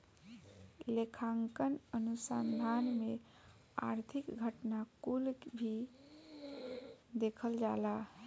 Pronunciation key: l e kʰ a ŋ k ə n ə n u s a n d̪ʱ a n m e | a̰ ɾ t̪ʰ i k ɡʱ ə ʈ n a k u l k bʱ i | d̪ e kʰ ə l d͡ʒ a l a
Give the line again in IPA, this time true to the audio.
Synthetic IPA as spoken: l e kʰ a ŋ k ə n ə n u s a n d̪ʱ a n m e | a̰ ɾ t̪ʰ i k ɡʱ ə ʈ n a k u l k bʱ i | d̪ e kʰ ə l d͡ʒ a l a